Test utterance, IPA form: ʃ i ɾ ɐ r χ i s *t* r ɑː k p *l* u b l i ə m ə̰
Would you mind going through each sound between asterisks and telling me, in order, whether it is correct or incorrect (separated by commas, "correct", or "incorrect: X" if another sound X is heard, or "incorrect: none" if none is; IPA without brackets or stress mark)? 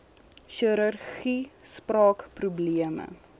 incorrect: p, incorrect: r